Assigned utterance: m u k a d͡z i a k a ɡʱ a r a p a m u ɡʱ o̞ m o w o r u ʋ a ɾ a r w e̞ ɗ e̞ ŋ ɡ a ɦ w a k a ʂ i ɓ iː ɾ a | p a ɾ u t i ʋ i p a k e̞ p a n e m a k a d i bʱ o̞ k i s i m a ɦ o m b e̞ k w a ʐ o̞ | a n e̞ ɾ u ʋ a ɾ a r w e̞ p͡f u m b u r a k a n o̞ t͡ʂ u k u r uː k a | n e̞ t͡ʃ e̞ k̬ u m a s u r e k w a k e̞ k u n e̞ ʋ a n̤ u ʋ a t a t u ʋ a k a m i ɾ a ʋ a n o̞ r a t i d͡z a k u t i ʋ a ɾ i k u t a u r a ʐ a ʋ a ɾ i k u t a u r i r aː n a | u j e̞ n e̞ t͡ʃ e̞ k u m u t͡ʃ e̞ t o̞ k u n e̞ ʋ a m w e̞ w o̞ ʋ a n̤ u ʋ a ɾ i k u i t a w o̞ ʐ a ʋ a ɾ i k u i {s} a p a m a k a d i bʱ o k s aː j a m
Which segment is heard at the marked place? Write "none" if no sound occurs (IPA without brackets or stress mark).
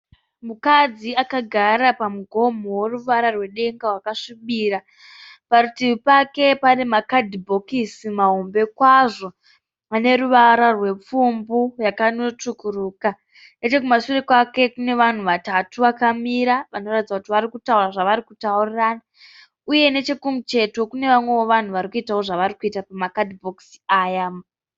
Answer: t